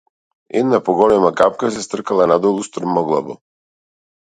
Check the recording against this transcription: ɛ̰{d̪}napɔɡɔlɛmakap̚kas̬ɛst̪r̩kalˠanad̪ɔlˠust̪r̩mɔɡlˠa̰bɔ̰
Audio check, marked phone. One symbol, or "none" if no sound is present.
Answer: d̪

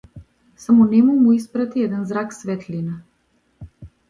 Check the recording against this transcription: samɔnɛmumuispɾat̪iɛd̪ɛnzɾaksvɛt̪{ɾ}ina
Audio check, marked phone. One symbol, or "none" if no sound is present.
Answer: l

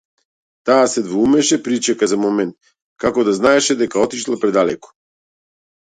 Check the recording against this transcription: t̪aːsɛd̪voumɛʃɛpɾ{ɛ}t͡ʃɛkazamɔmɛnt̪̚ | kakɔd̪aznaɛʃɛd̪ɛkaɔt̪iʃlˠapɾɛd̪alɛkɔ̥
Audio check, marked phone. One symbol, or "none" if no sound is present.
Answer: i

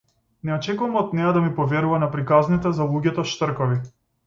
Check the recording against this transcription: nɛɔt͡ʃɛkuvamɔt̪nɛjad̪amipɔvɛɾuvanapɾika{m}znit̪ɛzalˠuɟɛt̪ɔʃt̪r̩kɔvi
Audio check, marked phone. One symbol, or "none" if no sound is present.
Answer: none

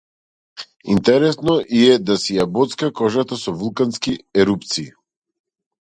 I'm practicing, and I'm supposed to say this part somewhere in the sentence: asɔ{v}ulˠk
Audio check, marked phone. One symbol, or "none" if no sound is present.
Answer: v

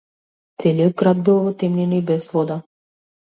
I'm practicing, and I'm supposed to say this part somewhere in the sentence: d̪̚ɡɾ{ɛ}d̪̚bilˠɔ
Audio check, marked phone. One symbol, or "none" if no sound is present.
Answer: a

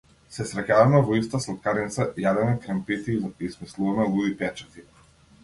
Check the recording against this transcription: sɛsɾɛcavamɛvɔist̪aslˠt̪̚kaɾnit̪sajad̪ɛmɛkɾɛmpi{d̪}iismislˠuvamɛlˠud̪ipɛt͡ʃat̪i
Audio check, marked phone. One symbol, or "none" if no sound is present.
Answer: t̪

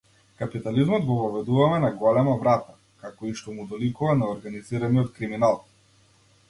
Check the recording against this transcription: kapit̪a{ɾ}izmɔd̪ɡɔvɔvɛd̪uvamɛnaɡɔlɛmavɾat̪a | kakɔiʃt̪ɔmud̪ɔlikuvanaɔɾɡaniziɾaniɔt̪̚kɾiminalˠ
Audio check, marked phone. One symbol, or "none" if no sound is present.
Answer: l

